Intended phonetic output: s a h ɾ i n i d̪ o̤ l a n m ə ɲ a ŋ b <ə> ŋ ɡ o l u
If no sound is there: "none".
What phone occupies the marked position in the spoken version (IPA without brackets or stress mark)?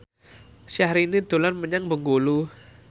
ə